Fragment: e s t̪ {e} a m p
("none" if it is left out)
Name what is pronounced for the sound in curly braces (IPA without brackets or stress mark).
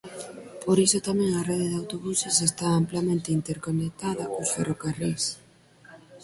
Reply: a